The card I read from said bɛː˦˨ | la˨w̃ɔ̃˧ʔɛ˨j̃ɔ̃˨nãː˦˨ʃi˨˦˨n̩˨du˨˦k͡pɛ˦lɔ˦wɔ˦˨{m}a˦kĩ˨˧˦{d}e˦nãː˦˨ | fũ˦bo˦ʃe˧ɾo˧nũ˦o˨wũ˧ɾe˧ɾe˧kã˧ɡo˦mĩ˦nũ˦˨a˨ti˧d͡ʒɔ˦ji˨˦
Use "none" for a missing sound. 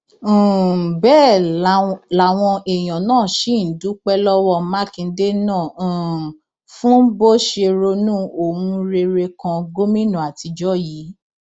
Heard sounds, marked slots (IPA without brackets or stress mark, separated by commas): m, d